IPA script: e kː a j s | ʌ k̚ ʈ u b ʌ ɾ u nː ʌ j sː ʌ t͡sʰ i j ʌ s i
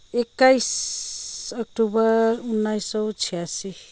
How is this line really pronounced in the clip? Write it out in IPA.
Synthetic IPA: e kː a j s | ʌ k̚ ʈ u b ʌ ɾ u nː a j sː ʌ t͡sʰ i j a s i